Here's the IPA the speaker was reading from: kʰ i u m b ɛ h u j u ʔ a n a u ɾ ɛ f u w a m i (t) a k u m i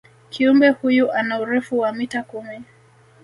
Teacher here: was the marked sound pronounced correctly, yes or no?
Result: yes